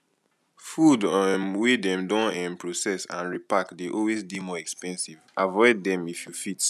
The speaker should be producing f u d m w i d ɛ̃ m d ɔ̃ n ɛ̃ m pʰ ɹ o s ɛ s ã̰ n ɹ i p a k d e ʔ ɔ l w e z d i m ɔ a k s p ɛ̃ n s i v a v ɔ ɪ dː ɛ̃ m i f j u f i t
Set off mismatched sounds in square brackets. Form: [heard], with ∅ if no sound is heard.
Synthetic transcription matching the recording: f u d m w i d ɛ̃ m d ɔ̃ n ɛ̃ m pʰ ɹ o s ɛ s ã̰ n ɹ i p a k d e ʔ ɔ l w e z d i m ɔ [ɛ] k s p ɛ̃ n s i v a v ɔ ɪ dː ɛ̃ m i f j u f i t